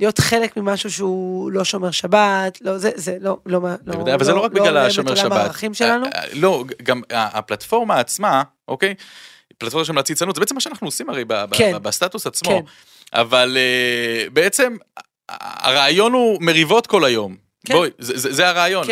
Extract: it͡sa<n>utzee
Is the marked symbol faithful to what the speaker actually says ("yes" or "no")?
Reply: yes